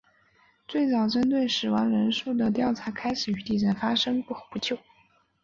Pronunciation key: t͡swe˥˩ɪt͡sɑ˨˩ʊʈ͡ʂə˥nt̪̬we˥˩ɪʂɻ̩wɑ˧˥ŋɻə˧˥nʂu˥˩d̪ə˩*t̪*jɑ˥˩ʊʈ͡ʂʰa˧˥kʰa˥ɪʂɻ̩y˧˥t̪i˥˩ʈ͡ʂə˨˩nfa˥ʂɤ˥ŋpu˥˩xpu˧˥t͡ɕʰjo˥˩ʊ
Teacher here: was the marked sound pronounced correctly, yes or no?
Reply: yes